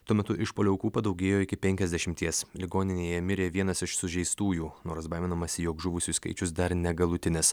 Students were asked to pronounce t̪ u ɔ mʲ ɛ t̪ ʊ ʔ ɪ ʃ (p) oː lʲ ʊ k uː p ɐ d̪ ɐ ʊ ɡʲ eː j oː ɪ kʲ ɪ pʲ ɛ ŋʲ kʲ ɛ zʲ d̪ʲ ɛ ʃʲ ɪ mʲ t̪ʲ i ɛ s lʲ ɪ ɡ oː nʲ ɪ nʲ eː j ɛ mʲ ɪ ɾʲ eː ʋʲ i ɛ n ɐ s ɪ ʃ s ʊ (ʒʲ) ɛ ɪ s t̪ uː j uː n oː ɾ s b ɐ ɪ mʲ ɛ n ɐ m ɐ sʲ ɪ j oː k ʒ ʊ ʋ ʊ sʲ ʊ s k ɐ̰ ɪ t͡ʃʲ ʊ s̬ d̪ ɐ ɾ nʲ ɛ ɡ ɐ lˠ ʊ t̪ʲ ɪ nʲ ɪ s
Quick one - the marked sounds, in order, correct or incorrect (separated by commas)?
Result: correct, correct